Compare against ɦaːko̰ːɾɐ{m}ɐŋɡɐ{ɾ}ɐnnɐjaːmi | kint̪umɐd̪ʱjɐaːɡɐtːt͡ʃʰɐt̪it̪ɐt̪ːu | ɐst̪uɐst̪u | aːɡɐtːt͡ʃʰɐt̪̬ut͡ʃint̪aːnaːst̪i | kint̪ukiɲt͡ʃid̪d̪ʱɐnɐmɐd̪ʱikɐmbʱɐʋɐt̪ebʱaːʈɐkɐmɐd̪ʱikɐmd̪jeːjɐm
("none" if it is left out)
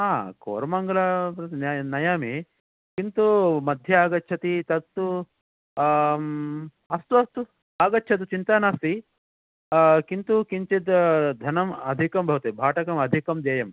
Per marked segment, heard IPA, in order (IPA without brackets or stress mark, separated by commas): m, l